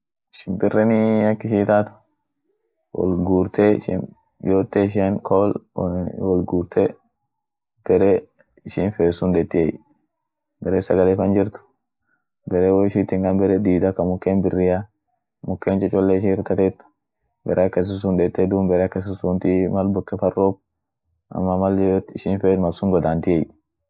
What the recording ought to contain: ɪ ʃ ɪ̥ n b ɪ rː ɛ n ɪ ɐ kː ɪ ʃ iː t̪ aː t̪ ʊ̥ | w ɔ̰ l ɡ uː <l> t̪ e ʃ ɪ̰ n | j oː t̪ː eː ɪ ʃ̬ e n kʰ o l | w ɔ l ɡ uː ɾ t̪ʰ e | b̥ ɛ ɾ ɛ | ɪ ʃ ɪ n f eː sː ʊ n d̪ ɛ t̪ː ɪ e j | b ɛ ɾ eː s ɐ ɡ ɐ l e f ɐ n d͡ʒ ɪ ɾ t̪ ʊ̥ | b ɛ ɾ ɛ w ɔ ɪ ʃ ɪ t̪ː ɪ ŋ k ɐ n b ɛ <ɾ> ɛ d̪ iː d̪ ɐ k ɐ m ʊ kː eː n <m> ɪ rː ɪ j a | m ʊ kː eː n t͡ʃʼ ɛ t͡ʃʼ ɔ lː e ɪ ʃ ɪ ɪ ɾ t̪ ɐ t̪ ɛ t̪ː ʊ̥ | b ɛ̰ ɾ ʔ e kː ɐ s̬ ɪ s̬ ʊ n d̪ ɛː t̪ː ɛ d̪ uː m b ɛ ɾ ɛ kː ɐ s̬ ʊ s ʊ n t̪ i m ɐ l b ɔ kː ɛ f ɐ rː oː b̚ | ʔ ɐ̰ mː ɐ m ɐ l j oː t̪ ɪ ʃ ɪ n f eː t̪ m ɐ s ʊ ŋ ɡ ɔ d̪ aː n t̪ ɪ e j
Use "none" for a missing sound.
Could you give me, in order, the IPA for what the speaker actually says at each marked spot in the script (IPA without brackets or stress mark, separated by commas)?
ɾ, ɾ, b